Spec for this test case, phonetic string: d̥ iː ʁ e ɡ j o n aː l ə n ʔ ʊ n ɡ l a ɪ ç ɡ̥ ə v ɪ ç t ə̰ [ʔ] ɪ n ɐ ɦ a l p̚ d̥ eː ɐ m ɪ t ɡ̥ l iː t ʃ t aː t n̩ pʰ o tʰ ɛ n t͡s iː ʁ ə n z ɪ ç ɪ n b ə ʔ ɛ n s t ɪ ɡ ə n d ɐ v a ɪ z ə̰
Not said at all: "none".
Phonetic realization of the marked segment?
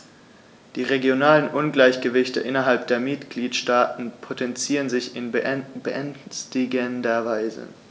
ʔ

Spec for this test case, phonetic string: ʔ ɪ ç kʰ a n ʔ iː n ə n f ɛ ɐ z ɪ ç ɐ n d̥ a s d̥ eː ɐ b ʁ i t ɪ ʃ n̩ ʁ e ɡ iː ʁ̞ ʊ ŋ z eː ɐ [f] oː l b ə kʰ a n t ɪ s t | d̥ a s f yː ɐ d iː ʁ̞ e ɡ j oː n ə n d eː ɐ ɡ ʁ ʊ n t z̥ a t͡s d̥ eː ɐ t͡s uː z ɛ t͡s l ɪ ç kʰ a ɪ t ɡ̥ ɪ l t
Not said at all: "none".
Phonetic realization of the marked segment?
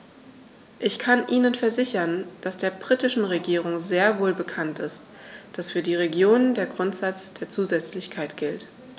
v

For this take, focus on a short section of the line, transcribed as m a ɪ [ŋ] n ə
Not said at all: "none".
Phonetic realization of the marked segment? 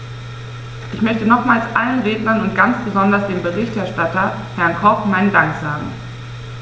none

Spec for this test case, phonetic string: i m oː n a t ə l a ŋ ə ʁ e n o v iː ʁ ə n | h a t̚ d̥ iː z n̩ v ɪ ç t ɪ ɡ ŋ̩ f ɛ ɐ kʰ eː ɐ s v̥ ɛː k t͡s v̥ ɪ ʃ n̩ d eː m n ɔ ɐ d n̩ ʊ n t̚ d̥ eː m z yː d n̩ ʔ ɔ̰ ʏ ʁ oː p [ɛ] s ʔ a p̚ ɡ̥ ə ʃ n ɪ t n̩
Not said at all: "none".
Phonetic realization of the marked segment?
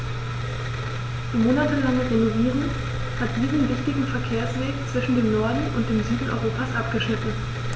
a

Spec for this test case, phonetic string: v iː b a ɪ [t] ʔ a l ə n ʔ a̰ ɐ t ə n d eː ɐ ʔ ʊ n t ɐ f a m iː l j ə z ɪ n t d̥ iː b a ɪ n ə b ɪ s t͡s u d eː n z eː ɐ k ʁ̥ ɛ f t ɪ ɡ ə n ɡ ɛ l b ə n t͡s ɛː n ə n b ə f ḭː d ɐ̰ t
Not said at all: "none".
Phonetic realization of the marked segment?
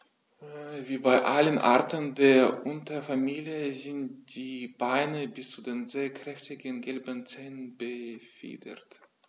none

